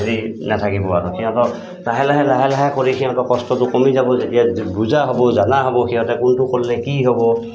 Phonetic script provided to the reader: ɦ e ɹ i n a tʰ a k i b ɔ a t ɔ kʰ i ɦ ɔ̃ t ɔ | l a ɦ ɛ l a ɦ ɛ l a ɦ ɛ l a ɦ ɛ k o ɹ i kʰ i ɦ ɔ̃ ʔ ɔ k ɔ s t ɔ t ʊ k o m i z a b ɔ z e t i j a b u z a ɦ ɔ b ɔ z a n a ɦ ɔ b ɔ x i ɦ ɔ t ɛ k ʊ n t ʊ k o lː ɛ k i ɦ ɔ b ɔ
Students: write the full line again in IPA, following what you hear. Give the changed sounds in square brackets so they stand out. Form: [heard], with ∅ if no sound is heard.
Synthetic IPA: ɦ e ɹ i n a tʰ a k i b ɔ a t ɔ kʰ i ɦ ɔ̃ t ɔ | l a ɦ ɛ l a ɦ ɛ l a ɦ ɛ l a ɦ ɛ k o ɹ i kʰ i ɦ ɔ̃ [t] ɔ k ɔ s t ɔ t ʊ k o m i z a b ɔ z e t i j a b u z a ɦ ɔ b ɔ z a n a ɦ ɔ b ɔ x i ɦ ɔ t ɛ k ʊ n t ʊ k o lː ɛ k i ɦ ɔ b ɔ